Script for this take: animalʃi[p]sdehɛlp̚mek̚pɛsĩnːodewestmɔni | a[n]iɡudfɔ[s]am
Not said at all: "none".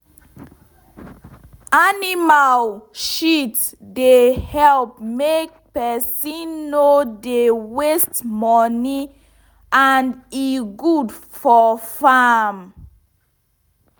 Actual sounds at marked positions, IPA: t, n, f

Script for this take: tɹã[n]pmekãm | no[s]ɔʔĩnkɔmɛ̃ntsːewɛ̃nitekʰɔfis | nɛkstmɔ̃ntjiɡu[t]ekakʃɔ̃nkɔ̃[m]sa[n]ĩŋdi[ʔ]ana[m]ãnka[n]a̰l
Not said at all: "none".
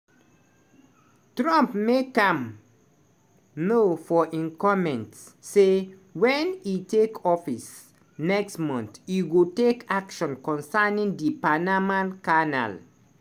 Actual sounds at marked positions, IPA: m, f, t, n, n, p, m, n

